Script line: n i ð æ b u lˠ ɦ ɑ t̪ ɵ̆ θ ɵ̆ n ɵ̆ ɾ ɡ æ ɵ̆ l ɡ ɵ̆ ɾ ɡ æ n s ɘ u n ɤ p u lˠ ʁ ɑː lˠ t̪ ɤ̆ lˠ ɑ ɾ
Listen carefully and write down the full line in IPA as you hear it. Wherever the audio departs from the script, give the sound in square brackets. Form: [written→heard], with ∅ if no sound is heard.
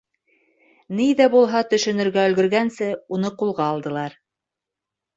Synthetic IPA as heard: n i ð æ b u lˠ ɦ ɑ t̪ ɵ̆ [θ→ʃ] ɵ̆ n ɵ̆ ɾ ɡ æ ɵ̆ l ɡ ɵ̆ ɾ ɡ æ n s ɘ u n ɤ [p→q] u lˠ ʁ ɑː lˠ [t̪→d̪] ɤ̆ lˠ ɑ ɾ